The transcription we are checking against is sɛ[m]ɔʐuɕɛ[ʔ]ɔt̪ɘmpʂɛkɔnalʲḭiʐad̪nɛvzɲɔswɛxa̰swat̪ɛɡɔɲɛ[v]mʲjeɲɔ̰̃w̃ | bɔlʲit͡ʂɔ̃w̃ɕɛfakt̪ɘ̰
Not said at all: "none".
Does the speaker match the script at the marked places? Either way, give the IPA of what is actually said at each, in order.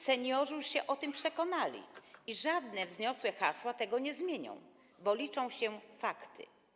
ɲ, ʔ, z

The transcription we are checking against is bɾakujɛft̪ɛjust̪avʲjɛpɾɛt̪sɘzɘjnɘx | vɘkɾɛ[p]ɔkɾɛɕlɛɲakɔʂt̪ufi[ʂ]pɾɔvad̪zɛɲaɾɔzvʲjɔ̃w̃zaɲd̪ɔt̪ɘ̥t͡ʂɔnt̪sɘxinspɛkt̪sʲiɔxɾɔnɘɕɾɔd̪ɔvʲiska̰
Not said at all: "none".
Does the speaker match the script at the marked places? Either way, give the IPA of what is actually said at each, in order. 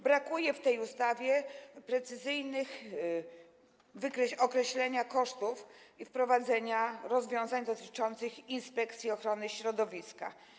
none, f

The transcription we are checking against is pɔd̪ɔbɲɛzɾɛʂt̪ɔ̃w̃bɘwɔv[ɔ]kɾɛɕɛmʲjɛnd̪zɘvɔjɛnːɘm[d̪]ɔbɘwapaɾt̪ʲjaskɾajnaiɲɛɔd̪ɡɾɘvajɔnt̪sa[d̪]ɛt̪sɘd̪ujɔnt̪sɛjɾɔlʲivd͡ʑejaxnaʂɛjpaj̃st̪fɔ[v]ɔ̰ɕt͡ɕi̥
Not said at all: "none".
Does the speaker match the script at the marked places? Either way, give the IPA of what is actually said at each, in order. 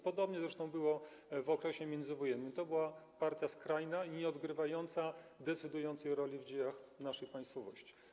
ɔ, t̪, d̪, v

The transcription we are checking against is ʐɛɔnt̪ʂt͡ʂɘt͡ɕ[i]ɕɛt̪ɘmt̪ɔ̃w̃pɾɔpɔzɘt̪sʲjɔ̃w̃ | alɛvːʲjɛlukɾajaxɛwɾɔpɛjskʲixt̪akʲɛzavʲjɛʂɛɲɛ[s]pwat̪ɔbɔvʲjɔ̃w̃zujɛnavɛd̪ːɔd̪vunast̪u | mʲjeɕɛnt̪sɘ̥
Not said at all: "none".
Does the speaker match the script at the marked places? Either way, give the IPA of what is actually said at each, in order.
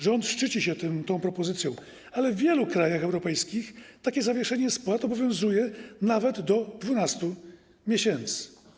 i, s

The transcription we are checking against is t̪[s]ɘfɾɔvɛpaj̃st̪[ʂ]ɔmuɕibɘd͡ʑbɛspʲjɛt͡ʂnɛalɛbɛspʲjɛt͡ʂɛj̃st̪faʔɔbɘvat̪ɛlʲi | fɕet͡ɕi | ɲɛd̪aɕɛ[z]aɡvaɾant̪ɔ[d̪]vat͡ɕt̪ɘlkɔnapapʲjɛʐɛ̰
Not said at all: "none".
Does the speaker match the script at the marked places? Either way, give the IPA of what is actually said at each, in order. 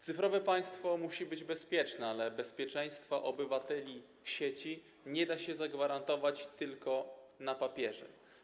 s, f, z, none

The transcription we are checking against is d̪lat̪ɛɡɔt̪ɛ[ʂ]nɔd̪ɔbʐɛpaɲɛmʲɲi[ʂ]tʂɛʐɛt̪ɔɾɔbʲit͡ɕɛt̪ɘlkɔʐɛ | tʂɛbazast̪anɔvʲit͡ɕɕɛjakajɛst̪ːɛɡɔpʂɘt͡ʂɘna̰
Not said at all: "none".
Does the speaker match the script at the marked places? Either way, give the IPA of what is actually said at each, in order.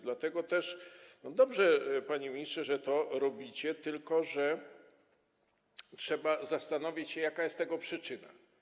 ʂ, s

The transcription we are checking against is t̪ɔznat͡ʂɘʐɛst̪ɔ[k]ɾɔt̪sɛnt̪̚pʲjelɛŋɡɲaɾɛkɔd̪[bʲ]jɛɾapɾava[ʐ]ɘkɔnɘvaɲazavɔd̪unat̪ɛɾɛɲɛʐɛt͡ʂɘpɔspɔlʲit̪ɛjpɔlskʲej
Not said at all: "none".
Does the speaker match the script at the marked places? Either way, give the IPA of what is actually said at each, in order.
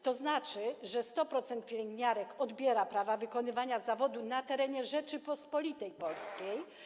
p, bʲ, v

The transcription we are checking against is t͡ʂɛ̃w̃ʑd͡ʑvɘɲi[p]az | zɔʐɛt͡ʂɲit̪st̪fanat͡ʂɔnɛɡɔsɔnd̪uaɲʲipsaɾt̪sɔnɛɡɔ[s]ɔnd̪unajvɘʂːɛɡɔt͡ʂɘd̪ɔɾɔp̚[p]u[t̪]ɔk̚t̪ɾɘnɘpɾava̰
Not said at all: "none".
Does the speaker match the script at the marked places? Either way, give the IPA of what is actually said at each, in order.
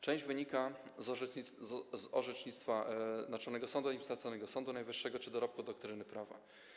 k, s, k, d̪

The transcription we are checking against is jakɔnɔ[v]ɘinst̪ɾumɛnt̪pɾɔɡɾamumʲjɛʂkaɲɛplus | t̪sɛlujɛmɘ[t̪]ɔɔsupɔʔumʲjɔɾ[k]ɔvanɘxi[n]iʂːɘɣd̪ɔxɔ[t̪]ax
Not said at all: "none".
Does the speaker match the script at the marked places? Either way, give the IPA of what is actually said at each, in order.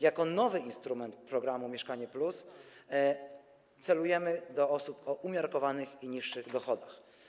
v, d̪, k, ɲ, d̪

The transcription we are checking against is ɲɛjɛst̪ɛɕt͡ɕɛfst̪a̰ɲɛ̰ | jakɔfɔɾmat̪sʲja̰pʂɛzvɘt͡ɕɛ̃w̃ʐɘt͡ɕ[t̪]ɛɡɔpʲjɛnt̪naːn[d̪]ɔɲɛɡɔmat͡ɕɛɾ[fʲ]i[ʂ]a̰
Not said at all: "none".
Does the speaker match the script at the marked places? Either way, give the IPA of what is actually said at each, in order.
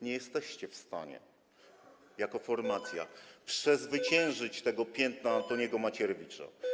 t̪, t̪, vʲ, t͡ʂ

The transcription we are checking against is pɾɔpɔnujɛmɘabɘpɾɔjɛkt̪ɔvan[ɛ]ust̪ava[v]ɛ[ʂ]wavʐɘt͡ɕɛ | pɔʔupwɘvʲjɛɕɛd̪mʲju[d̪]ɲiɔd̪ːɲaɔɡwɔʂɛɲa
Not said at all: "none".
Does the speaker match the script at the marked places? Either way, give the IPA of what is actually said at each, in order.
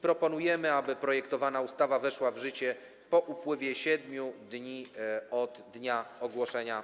a, v, ʂ, d̪

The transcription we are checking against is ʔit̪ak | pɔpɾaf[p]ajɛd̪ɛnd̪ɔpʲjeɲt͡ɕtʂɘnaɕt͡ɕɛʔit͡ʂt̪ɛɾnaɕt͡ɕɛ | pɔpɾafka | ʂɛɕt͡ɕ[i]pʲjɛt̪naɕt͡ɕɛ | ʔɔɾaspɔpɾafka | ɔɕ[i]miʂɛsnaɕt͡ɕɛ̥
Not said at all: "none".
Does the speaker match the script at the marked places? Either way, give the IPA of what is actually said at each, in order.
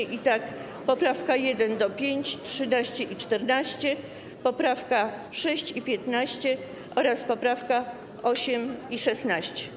k, i, ɛ

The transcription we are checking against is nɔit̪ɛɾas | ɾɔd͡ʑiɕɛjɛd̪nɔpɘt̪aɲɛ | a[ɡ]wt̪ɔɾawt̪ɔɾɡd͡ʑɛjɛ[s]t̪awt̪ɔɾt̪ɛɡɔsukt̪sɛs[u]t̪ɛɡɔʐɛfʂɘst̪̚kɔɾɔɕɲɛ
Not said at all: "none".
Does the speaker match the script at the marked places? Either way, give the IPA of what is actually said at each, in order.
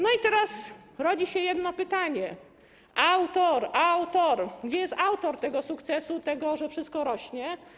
none, s, u

